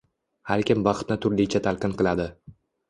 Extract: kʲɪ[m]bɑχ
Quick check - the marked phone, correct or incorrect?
correct